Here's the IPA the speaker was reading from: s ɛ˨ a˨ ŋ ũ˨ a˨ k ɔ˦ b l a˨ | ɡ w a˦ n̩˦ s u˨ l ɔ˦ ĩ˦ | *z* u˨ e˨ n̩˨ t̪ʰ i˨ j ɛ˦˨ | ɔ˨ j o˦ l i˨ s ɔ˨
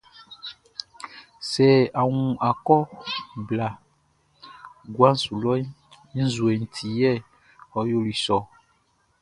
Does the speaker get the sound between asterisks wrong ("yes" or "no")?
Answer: no